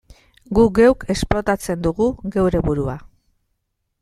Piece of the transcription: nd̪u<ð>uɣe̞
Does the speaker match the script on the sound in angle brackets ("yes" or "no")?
no